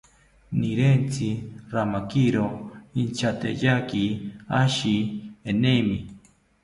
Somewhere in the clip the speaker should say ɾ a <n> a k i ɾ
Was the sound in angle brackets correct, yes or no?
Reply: no